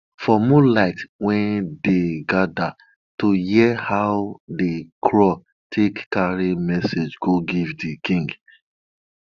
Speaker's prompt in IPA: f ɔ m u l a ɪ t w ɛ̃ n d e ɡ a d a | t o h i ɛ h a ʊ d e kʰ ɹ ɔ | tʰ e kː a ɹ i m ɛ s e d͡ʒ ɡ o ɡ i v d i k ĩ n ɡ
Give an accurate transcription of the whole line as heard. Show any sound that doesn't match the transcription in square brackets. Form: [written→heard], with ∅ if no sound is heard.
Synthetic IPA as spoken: f ɔ m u l a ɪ t w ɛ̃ n d e ɡ a d a | t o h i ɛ h a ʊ d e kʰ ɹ ɔ | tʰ e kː a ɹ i m ɛ s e d͡ʒ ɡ o ɡ i v d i k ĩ [n→ŋ] ɡ